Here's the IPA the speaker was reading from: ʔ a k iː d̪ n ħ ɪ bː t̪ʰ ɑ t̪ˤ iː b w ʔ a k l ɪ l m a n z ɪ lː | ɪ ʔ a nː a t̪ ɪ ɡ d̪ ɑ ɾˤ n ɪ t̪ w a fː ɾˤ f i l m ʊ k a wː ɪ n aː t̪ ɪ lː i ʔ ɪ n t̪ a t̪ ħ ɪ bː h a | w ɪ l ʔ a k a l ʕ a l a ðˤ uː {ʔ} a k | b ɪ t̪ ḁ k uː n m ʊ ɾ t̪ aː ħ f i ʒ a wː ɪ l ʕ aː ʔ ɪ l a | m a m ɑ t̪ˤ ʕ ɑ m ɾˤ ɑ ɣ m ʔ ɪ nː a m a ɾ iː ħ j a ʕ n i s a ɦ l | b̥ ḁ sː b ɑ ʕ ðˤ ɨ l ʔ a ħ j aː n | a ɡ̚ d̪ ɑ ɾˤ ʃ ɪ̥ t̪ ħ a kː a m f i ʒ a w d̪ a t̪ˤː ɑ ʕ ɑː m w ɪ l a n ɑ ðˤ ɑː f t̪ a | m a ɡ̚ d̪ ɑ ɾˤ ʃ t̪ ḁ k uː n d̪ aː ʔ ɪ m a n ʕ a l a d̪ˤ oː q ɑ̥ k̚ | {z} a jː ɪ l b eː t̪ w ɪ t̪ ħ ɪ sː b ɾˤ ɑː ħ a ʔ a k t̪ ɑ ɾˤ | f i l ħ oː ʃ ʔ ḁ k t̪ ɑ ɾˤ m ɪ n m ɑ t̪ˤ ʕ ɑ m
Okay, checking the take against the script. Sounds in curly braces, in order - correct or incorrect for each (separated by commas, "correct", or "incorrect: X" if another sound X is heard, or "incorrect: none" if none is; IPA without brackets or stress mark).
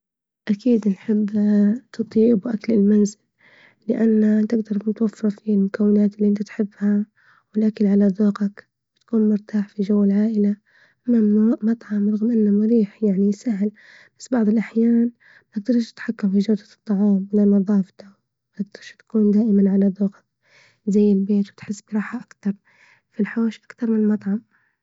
incorrect: q, correct